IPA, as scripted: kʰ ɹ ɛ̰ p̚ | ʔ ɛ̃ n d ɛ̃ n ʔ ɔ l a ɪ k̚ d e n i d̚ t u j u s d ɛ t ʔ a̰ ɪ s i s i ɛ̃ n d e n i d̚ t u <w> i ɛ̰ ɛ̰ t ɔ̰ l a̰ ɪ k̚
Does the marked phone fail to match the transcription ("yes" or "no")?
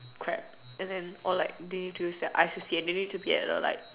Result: yes